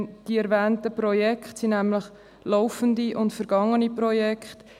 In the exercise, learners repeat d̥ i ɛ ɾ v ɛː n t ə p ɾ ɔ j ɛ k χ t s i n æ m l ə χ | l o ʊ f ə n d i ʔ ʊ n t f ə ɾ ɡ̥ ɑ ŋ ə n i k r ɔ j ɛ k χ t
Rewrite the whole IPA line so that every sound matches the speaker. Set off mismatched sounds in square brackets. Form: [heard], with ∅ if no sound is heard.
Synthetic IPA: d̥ i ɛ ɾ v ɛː n t ə p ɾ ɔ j ɛ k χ t s i n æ m l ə χ | l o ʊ f ə n d i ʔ ʊ n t f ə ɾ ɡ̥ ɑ ŋ ə n i [p] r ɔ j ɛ k χ t